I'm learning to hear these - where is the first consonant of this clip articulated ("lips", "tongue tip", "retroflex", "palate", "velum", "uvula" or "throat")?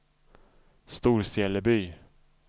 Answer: tongue tip